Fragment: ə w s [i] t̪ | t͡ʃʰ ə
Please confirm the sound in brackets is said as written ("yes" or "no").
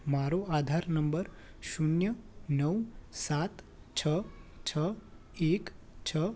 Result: no